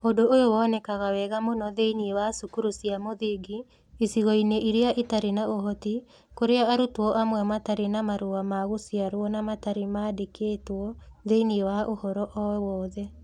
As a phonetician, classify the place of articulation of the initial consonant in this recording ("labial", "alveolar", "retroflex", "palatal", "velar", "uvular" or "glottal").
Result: alveolar